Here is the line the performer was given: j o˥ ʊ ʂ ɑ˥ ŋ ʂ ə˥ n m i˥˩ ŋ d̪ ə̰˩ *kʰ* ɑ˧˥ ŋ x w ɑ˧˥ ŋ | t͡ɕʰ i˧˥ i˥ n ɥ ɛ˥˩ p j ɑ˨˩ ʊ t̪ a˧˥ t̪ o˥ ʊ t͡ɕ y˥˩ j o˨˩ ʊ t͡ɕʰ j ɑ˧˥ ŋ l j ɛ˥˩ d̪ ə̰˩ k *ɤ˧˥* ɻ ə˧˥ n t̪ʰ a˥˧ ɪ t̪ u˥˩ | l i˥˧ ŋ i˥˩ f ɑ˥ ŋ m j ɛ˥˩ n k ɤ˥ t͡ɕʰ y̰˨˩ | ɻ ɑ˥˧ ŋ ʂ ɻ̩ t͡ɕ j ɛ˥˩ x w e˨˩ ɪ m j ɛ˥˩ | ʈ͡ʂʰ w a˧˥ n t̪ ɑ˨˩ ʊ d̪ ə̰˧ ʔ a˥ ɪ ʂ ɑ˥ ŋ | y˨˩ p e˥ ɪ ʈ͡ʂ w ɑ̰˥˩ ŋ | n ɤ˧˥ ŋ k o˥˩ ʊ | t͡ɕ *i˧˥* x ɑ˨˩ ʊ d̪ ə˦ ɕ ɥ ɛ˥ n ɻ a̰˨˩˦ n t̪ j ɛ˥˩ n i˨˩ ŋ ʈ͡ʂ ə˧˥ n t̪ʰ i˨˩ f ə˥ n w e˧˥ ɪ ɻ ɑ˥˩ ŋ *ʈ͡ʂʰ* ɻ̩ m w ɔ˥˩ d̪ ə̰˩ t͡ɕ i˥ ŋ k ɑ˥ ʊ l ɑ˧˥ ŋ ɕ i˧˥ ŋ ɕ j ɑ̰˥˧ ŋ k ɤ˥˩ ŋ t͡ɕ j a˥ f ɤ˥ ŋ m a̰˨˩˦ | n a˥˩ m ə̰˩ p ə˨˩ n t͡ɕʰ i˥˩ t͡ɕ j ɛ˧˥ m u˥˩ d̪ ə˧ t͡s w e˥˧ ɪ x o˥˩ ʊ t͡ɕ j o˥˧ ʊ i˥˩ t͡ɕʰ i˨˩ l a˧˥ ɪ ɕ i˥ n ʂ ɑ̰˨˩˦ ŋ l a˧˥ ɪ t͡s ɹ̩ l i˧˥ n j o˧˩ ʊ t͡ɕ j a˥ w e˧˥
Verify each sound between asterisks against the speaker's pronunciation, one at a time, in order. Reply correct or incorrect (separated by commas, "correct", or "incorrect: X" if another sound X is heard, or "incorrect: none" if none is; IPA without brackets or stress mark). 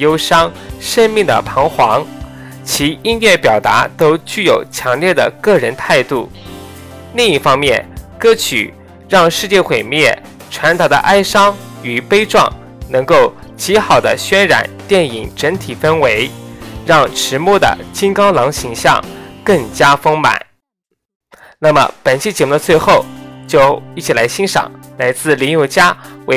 incorrect: pʰ, incorrect: ɤ˥˩, correct, correct